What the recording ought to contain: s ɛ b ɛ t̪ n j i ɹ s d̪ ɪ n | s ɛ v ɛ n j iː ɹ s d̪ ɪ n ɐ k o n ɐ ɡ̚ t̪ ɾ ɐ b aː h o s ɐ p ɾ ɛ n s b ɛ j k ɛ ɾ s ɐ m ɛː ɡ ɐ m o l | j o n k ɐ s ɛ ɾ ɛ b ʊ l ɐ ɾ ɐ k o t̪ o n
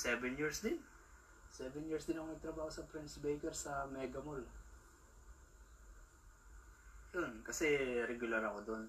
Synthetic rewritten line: s ɛ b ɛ n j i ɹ s d̪ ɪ n | s ɛ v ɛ n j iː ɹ s d̪ ɪ n ɐ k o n ɐ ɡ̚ t̪ ɾ ɐ b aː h o s ɐ p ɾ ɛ n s b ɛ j k ɛ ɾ s ɐ m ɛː ɡ ɐ m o l | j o n k ɐ s ɛ ɾ ɛ ɡ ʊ l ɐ ɾ ɐ k o d̪ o n